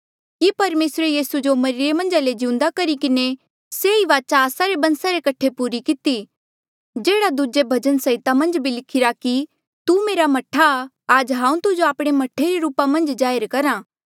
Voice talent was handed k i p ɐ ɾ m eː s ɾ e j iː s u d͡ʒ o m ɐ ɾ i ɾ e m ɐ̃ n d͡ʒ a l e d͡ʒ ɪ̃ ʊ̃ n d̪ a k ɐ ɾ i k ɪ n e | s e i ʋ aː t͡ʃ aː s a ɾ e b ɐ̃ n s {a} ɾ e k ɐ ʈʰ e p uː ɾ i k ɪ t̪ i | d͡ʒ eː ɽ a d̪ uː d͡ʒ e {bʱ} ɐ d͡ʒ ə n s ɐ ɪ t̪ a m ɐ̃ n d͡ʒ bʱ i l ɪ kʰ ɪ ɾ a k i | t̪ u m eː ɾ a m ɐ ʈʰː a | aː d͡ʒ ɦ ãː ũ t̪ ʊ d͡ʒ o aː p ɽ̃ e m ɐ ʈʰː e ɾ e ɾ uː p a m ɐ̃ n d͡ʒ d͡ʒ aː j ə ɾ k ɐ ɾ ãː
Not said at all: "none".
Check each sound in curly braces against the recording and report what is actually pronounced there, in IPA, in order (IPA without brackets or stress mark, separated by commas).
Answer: a, bʱ